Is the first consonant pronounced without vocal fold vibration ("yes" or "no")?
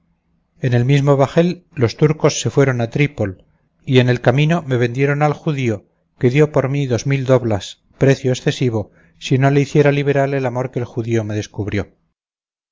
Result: no